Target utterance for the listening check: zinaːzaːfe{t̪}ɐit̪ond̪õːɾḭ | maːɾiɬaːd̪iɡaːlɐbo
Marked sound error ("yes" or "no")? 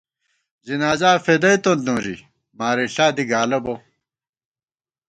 yes